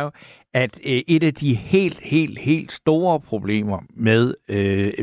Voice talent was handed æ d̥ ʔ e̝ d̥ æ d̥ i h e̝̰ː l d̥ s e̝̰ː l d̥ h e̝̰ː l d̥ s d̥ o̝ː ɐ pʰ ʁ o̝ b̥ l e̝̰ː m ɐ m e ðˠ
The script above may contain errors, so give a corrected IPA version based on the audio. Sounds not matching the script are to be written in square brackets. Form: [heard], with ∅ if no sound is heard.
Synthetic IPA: æ d̥ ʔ e̝ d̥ æ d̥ i h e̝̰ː l d̥ [h] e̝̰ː l d̥ h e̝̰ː l d̥ s d̥ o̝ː ɐ pʰ ʁ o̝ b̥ l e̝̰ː m ɐ m e ðˠ